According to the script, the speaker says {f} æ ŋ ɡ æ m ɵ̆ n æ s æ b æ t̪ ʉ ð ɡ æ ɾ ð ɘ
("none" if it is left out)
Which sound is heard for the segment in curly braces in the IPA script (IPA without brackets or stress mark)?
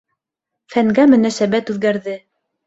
f